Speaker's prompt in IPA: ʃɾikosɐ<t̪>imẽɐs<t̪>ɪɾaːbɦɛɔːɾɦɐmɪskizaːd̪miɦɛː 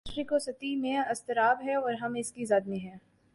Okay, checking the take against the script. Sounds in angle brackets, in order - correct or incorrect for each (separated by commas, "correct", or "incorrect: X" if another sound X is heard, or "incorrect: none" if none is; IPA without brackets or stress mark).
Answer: correct, correct